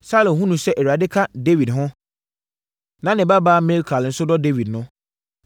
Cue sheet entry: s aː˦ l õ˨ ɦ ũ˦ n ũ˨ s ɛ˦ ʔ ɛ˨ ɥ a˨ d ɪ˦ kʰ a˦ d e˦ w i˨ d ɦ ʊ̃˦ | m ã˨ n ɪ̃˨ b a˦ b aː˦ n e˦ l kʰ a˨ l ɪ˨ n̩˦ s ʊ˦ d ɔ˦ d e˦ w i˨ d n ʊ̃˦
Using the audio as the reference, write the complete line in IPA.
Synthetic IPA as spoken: s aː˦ l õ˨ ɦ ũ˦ n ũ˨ s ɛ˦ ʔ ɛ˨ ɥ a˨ d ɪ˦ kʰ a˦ d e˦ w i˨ d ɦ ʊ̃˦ | n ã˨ n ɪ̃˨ b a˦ b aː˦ m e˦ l kʰ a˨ l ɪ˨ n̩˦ s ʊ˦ d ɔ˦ d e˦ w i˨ d n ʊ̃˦